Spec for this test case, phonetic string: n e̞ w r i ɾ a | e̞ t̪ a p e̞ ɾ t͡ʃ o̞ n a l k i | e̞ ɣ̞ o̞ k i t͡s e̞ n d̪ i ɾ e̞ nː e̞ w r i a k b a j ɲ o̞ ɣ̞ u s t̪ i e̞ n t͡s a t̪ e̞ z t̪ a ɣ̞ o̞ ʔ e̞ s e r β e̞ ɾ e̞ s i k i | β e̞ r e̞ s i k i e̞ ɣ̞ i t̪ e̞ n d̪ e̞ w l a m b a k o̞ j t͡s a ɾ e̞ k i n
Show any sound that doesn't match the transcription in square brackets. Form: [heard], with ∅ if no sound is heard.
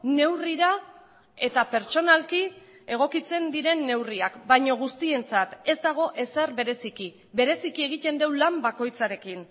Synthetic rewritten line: n e̞ w r i ɾ a | e̞ t̪ a p e̞ ɾ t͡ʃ o̞ n a l k i | e̞ ɣ̞ o̞ k i t͡s e̞ n d̪ i ɾ e̞ nː e̞ w r i a k b a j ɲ o̞ ɣ̞ u s t̪ i e̞ n t͡s a t̪ e̞ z [d̪] a ɣ̞ o̞ ʔ e̞ s e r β e̞ ɾ e̞ s i k i | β e̞ [ɾ] e̞ s i k i e̞ ɣ̞ i t̪ e̞ n d̪ e̞ w l a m b a k o̞ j t͡s a ɾ e̞ k i n